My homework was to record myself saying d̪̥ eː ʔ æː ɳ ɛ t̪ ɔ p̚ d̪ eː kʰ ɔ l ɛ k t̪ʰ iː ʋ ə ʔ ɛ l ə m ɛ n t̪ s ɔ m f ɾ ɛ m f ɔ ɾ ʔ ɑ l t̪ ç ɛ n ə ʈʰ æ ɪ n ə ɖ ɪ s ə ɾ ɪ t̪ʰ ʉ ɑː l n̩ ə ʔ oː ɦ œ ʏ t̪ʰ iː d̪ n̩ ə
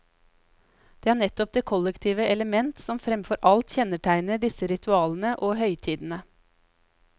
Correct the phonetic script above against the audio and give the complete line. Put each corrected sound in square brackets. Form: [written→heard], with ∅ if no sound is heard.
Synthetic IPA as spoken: d̪̥ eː [ʔ→∅] æː ɳ ɛ t̪ ɔ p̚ d̪ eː kʰ ɔ l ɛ k t̪ʰ iː ʋ ə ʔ ɛ l ə m ɛ n t̪ s ɔ m f ɾ ɛ m f ɔ ɾ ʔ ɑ l t̪ ç ɛ n ə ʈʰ æ ɪ n ə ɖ ɪ s ə ɾ ɪ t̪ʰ ʉ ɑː l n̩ ə ʔ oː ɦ œ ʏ t̪ʰ iː d̪ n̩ ə